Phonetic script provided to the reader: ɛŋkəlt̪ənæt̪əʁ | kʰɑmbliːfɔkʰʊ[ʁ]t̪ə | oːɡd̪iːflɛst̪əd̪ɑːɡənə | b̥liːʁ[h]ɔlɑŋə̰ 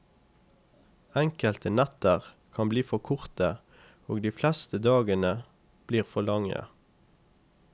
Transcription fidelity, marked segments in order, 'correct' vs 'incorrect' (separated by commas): correct, incorrect